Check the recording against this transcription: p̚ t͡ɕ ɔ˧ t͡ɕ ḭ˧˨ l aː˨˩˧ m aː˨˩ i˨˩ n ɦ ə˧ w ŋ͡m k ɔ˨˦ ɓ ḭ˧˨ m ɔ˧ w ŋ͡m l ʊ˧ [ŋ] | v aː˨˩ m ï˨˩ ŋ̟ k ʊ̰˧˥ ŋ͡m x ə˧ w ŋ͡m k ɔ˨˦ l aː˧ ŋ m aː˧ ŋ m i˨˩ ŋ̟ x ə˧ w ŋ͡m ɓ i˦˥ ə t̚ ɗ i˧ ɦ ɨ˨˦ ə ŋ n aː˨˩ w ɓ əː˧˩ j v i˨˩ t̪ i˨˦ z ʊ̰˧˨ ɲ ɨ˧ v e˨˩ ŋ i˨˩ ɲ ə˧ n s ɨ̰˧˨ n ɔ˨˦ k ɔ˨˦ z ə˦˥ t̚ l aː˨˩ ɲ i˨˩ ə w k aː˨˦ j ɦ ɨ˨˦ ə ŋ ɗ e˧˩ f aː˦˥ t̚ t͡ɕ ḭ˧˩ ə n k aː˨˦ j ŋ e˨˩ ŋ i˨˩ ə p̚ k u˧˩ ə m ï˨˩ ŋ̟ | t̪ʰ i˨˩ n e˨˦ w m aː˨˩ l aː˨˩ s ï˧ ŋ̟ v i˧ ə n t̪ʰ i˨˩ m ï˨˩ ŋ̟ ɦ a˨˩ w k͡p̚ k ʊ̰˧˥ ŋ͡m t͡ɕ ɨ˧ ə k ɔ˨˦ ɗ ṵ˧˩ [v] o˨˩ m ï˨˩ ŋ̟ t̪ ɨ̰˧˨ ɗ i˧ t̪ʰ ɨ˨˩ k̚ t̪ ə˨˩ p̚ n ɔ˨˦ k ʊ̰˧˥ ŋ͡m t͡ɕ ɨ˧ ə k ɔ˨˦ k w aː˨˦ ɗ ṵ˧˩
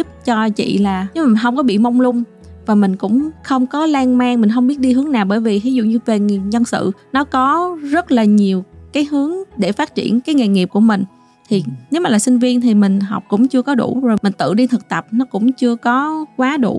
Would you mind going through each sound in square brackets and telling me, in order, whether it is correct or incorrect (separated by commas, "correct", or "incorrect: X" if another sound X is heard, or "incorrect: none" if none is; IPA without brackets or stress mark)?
incorrect: ŋ͡m, incorrect: z